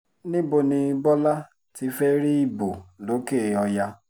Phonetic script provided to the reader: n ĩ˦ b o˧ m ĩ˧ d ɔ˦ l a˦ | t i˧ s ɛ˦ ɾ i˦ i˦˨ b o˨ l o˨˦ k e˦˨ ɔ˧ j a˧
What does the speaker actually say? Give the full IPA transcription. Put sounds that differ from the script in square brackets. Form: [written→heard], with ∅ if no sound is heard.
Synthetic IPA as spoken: n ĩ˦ b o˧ [m→n] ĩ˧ [d→b] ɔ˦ l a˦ | t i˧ [s→f] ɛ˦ ɾ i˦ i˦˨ b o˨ l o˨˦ k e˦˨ ɔ˧ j a˧